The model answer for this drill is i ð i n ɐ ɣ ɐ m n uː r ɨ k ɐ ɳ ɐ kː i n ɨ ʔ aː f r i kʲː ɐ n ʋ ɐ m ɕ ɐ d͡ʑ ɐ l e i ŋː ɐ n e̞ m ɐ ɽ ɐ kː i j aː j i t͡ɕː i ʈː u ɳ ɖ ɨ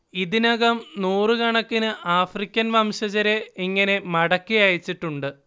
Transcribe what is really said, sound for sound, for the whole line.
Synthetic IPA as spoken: i ð i n ɐ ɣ ɐ m n uː r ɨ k ɐ ɳ ɐ kː i n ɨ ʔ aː f r i kʲː ɐ n ʋ ɐ m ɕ ɐ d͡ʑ ɐ ɾ e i ŋː ɐ n e̞ m ɐ ɽ ɐ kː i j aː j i t͡ɕː i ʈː u ɳ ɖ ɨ